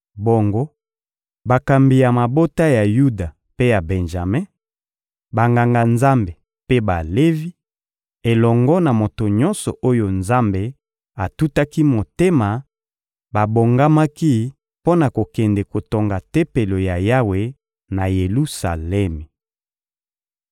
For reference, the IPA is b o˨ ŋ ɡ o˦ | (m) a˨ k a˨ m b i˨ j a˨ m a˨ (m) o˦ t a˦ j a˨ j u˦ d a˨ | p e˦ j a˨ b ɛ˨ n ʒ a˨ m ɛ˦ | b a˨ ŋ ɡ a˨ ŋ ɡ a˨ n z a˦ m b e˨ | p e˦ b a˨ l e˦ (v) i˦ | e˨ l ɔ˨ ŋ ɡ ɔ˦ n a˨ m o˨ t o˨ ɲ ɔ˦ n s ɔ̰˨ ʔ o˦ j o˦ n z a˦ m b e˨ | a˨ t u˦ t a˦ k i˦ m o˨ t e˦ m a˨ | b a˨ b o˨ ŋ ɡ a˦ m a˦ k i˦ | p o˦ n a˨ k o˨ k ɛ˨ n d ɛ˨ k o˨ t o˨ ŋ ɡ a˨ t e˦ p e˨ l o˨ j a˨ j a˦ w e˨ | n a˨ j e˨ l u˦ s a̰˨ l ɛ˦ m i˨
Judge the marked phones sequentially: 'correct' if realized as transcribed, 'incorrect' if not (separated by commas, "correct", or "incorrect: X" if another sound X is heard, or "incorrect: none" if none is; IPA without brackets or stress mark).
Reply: incorrect: b, incorrect: b, correct